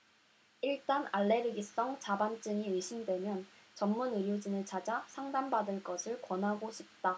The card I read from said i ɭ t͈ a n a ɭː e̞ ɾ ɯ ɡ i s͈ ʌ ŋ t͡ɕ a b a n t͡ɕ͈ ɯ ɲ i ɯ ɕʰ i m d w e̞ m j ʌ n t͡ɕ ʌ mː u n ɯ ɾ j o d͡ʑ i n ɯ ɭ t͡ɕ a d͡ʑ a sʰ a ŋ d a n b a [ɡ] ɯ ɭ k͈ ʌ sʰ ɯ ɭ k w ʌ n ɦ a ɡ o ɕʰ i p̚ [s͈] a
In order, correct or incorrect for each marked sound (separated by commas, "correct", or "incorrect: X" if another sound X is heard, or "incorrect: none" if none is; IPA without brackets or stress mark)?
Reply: incorrect: d, incorrect: t͈